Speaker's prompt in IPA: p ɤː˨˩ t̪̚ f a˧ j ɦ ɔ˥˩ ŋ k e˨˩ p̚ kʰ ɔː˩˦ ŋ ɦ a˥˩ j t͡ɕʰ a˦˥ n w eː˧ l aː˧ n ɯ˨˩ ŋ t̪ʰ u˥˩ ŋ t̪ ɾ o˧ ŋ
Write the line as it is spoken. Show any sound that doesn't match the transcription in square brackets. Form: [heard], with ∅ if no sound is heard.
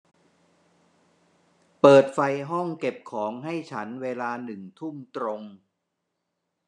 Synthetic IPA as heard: p ɤː˨˩ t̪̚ f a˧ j ɦ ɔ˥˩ ŋ k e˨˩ p̚ kʰ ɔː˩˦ ŋ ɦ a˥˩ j t͡ɕʰ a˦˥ n w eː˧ l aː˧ n ɯ˨˩ ŋ t̪ʰ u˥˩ [m] t̪ ɾ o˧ ŋ